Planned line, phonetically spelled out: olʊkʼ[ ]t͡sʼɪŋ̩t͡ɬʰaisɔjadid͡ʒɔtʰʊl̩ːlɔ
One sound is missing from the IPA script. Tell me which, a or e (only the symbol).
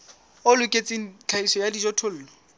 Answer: e